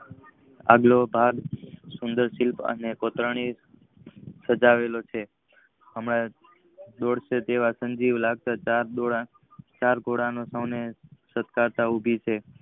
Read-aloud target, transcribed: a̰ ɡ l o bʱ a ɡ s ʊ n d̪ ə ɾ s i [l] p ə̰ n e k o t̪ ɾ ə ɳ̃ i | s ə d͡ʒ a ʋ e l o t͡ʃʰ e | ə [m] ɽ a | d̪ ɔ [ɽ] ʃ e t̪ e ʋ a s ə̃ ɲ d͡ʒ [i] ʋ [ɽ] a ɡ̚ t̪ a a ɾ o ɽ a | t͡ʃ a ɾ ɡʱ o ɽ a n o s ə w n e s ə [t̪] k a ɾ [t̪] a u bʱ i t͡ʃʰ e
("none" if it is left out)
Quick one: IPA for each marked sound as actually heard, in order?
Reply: l, m, ɽ, i, l, t̪, t̪

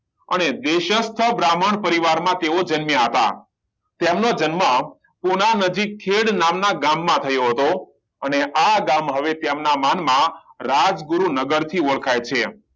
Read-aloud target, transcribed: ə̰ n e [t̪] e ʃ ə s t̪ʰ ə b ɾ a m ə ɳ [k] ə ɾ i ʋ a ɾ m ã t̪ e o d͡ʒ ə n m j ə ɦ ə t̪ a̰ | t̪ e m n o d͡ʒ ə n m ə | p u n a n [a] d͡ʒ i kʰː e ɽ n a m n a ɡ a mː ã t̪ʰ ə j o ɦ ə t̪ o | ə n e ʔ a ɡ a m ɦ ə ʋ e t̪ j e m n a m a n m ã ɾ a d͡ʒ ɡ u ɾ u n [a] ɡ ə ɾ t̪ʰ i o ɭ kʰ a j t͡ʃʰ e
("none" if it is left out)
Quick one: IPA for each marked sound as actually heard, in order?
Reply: d̪, p, ə, ə

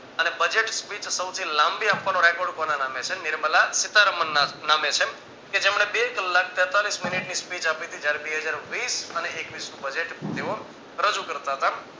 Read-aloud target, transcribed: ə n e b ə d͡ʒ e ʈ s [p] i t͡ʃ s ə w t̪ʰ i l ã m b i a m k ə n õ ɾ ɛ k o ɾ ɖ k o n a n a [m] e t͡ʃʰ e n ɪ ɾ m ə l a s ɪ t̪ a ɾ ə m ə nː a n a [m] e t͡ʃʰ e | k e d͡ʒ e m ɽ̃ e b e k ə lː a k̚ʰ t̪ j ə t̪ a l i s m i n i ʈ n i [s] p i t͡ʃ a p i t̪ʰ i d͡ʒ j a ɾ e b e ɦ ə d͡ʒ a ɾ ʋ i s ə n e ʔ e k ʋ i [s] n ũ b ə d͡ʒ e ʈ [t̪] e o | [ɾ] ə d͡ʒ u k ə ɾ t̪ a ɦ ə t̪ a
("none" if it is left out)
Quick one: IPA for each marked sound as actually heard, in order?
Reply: p, m, m, s, s, t̪, ɾ

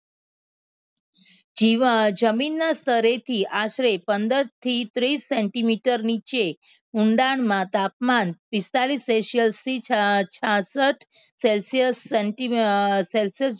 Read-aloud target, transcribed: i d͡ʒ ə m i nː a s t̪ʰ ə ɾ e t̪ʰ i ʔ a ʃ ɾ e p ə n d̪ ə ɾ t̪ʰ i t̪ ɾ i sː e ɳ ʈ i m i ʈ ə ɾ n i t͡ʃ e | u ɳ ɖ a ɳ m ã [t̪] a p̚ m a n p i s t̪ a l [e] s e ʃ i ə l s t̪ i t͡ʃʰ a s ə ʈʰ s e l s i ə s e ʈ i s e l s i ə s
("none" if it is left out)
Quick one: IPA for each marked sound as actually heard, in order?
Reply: t̪, i

